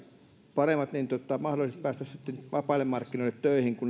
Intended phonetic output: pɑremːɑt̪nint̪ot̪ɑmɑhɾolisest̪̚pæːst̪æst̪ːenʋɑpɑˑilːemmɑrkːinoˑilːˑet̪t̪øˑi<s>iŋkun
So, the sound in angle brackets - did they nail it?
no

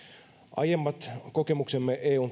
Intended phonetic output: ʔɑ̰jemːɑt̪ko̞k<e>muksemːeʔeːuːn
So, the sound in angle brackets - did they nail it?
yes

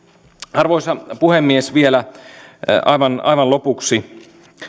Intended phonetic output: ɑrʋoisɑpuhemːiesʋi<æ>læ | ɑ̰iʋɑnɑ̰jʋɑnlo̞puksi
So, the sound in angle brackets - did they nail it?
no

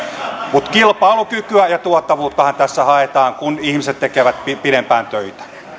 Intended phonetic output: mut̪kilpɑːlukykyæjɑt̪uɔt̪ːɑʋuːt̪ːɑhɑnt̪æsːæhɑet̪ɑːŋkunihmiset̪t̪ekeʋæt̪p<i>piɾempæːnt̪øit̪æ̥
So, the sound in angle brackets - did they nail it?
yes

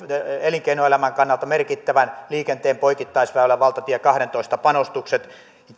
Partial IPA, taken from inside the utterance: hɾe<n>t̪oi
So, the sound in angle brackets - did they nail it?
yes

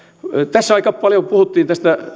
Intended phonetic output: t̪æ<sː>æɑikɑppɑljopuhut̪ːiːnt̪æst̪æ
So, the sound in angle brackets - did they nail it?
yes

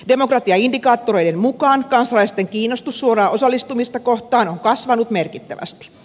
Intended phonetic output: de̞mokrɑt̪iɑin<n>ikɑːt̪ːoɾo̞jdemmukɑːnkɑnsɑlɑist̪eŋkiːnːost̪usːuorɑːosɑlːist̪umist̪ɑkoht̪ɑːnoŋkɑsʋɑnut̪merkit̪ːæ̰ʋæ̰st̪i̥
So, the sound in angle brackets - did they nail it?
no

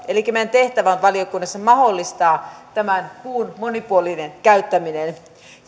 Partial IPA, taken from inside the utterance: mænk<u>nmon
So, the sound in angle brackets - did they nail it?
no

